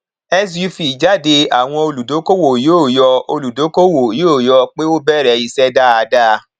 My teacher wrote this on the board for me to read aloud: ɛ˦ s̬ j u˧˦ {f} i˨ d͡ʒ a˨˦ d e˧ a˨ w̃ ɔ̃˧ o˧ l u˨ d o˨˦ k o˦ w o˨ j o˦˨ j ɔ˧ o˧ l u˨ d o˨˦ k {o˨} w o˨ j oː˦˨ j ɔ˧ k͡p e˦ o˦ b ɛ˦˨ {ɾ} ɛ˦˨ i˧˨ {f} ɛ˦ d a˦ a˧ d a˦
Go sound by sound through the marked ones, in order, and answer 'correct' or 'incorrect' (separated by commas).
correct, incorrect, correct, incorrect